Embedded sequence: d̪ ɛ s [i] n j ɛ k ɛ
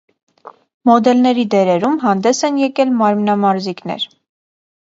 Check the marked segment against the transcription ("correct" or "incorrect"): incorrect